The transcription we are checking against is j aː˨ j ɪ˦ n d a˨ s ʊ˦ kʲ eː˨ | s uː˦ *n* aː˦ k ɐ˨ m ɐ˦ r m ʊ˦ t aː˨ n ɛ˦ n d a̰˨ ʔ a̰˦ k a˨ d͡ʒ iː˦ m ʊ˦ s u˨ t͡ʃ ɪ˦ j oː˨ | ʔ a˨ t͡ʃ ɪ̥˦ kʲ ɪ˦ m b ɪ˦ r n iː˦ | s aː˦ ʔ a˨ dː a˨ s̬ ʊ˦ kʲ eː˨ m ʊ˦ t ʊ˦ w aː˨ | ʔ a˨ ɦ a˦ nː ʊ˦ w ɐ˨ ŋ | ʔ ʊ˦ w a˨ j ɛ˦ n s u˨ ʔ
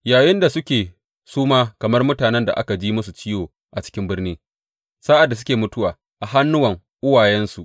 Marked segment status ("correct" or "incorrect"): incorrect